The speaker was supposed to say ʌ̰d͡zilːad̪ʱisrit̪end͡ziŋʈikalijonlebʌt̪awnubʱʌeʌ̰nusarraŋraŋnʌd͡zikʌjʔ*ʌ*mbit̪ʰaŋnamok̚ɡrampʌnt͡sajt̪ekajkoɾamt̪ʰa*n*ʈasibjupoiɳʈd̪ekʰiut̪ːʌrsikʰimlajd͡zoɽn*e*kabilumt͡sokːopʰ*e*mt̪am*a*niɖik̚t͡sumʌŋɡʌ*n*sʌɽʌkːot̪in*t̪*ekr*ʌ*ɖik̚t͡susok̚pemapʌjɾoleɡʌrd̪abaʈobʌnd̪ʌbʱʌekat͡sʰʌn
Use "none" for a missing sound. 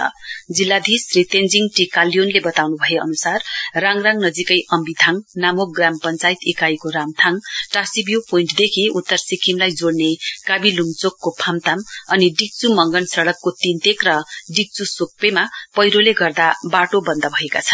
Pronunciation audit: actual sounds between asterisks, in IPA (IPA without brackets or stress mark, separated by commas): ʌ, ŋ, e, a, ʌ, n, t̪, ʌ